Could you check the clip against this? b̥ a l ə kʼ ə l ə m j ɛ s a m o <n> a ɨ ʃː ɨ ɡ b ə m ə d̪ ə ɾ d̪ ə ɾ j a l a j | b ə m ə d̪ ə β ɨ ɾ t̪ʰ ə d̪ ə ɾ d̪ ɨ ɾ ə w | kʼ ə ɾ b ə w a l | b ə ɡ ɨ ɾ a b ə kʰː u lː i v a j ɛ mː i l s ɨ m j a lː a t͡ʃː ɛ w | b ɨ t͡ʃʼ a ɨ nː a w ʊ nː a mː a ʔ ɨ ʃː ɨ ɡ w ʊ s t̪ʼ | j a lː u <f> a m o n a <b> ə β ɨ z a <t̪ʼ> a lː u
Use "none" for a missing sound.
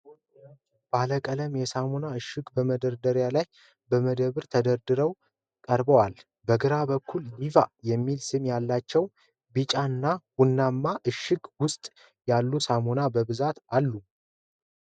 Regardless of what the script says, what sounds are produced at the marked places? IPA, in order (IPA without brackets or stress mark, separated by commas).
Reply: n, s, b, t̪